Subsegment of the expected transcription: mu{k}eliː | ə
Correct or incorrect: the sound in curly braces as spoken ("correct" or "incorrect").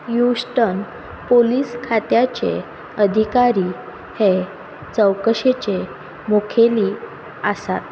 incorrect